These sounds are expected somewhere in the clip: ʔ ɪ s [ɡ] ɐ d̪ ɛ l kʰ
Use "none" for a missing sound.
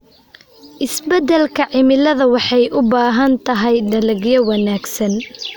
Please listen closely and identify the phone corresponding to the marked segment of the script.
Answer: b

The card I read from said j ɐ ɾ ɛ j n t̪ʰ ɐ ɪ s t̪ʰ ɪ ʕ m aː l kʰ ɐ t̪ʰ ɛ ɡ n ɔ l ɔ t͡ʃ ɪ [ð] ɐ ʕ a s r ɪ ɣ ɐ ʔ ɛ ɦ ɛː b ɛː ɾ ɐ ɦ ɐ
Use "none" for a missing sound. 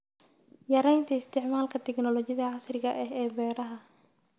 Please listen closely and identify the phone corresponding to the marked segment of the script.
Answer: ð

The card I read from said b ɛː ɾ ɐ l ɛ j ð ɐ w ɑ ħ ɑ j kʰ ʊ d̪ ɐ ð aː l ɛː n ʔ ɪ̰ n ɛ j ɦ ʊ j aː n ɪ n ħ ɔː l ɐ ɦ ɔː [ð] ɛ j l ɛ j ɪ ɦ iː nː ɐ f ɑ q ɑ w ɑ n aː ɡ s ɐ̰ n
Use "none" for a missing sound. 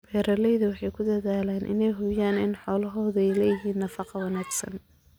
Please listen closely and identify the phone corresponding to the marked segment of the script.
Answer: ð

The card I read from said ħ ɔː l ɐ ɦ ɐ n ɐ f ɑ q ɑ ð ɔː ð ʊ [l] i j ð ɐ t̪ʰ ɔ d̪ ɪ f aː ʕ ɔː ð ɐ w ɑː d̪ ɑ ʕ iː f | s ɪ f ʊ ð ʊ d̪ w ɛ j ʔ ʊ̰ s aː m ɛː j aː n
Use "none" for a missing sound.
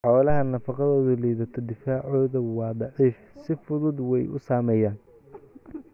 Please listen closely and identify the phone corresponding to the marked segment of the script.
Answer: l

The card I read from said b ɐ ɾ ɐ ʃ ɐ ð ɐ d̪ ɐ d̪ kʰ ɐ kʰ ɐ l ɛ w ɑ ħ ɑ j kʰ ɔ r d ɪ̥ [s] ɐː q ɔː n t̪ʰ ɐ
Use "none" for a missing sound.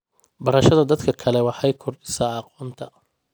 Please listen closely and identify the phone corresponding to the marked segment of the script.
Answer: s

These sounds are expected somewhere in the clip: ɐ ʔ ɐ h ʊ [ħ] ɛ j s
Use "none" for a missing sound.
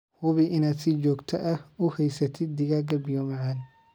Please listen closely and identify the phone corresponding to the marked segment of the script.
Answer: h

